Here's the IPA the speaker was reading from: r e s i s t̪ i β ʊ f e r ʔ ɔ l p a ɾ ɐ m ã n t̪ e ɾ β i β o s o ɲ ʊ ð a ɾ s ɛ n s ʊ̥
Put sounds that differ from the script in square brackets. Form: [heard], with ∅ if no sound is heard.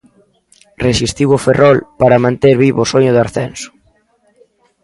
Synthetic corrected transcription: r e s i s t̪ i [w] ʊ f e r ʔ ɔ l p a ɾ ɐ m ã n t̪ e ɾ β i β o s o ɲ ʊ ð a ɾ [θ] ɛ n s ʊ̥